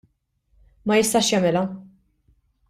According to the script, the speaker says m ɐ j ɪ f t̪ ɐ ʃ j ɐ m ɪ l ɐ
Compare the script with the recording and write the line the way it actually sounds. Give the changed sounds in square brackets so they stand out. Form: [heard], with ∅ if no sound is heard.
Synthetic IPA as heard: m ɐ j ɪ [s] t̪ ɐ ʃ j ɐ m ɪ l ɐ